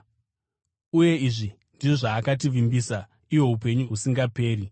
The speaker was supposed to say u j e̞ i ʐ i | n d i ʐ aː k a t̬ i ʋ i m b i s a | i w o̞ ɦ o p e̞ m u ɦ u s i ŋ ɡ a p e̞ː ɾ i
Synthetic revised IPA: u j e̞ i ʐ i | n d i ʐ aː k a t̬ i ʋ i m b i s a | i w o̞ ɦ u p e̞ ɲ u ɦ u s i ŋ ɡ a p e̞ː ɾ i